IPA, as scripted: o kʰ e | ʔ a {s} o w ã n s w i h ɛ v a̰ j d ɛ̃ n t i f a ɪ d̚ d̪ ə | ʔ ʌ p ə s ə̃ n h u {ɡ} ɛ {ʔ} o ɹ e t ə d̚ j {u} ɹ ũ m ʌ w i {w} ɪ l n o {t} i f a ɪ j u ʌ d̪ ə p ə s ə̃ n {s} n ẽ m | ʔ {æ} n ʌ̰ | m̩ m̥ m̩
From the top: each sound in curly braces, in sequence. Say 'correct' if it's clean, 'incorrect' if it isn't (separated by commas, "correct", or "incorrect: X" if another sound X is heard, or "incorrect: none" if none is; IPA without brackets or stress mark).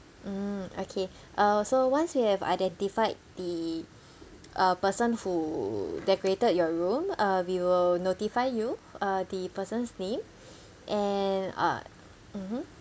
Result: correct, incorrect: d, incorrect: k, incorrect: ɔ, correct, correct, correct, incorrect: ɛ